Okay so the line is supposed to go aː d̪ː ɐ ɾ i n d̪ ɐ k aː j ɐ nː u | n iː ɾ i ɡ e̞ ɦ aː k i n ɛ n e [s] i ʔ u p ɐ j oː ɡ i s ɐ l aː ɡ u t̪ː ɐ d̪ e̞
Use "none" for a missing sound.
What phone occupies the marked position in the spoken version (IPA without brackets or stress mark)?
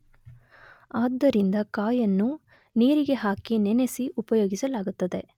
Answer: s